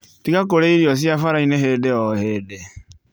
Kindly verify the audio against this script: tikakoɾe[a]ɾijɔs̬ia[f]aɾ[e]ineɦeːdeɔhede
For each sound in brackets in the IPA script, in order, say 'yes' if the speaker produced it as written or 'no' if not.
no, yes, no

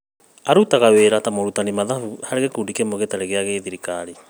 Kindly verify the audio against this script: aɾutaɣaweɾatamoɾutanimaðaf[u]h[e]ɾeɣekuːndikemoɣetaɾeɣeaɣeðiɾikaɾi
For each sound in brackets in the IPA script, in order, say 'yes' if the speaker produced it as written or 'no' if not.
yes, no

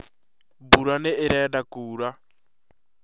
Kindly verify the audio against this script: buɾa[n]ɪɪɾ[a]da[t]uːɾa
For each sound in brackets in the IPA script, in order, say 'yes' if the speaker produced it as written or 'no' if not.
yes, no, no

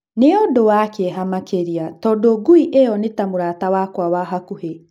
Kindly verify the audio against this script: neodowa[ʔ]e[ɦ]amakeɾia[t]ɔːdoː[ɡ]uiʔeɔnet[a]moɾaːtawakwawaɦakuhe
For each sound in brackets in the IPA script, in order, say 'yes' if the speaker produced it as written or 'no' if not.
no, yes, yes, yes, yes

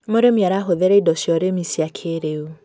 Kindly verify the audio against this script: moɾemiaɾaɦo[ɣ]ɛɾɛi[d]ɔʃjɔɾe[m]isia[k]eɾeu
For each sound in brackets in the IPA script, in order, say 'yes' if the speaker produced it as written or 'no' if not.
no, yes, yes, no

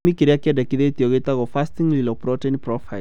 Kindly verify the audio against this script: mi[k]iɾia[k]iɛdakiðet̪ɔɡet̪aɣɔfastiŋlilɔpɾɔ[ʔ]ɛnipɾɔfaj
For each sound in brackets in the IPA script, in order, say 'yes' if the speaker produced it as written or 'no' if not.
yes, yes, no

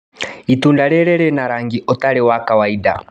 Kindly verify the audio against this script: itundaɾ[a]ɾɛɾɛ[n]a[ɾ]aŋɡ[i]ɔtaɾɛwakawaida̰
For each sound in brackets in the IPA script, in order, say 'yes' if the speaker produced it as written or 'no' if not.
no, yes, yes, yes

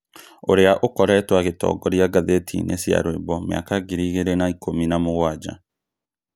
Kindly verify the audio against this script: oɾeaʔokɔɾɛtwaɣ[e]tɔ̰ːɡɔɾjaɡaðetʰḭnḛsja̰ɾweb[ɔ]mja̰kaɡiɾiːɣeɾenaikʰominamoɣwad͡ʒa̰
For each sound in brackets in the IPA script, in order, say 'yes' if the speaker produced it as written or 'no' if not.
yes, yes

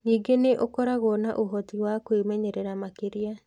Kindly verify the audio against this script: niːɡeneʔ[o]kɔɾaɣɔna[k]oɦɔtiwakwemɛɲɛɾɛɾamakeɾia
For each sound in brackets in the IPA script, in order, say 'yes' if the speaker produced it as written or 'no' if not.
yes, no

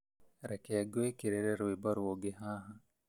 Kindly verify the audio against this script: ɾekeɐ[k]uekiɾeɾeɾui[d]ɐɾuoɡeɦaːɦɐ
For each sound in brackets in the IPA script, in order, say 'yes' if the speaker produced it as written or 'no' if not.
no, no

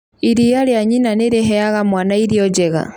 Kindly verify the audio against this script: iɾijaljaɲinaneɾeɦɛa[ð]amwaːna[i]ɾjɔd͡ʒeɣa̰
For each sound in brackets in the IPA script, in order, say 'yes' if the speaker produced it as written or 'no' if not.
no, yes

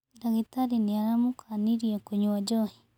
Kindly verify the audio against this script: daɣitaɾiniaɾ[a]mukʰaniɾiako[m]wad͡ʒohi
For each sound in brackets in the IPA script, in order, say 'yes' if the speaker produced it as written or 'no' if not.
yes, no

